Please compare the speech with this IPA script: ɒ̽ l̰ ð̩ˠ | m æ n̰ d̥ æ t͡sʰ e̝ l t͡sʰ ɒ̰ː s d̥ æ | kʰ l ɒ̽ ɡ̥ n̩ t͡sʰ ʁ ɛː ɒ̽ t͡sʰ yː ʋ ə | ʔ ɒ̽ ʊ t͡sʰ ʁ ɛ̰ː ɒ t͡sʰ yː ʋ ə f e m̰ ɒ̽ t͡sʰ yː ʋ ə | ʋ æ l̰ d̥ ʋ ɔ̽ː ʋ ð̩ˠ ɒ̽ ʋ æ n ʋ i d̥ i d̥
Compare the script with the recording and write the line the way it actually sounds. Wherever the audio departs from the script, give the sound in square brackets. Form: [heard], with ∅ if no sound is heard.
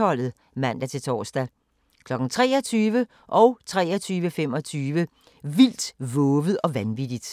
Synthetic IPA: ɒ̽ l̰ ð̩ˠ | m æ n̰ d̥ æ t͡sʰ e̝ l t͡sʰ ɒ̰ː s d̥ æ | kʰ l ɒ̽ ɡ̥ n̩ t͡sʰ ʁ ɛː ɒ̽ t͡sʰ yː ʋ ə | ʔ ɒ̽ ʊ t͡sʰ ʁ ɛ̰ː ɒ t͡sʰ yː ʋ ə f e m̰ ɒ̽ t͡sʰ yː ʋ ə | ʋ [i] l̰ d̥ ʋ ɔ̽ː ʋ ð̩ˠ ɒ̽ ʋ æ n ʋ i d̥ i d̥